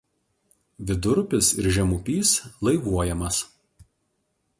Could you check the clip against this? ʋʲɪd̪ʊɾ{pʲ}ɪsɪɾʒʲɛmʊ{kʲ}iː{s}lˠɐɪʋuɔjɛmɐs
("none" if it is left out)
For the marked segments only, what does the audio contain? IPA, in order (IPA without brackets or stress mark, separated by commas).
pʲ, pʲ, s